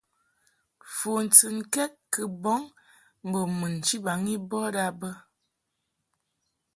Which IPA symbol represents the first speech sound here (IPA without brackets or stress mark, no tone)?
f